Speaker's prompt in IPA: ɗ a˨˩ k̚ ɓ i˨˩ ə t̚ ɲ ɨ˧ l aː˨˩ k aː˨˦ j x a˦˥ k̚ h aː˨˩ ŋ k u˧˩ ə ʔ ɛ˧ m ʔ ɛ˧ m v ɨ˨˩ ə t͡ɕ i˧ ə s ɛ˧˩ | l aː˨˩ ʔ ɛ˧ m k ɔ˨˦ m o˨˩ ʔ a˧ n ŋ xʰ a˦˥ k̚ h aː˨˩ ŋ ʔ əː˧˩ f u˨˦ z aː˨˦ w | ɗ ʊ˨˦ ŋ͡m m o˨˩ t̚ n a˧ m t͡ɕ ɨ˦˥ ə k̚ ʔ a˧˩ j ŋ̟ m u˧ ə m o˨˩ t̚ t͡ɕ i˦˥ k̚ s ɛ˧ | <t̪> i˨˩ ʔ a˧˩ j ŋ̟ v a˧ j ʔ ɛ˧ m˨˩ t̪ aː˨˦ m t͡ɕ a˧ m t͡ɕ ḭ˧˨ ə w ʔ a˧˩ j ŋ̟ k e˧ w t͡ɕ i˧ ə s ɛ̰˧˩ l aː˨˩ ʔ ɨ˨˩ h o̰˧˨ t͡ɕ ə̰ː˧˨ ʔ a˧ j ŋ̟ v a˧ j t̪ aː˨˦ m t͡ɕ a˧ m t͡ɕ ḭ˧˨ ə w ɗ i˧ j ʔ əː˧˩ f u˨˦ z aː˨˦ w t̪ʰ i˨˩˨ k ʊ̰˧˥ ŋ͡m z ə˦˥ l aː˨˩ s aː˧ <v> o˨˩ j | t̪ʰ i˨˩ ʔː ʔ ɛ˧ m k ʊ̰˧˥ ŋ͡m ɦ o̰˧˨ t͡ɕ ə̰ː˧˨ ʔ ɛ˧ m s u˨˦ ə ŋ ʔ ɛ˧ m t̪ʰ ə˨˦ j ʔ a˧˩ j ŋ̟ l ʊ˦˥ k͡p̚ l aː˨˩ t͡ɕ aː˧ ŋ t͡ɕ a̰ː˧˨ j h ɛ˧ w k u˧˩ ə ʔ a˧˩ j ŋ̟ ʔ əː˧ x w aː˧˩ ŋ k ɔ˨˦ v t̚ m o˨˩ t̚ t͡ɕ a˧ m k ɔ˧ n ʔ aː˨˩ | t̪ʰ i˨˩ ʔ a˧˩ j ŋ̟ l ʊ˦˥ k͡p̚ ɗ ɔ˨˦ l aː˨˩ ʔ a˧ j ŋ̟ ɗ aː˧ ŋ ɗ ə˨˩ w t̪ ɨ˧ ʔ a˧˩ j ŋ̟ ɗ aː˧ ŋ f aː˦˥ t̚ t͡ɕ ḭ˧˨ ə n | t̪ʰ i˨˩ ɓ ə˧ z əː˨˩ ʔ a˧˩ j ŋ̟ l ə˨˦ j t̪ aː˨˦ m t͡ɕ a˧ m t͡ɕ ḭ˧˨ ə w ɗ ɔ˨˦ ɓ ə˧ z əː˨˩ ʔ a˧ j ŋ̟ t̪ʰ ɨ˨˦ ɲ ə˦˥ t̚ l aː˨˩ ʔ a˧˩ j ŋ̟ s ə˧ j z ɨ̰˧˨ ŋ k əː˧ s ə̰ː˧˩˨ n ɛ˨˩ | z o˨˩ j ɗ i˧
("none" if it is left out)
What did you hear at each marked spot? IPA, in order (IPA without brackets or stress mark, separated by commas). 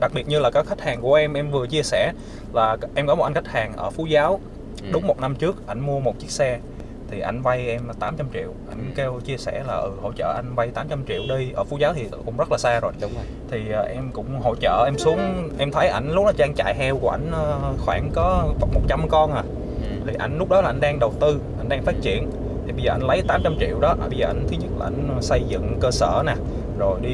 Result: t̪ʰ, z